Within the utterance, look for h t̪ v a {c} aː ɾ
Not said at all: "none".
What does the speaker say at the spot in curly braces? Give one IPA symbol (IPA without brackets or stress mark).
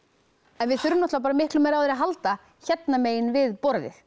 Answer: p